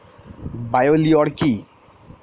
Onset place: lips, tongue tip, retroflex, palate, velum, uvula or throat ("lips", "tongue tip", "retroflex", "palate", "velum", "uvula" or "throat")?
lips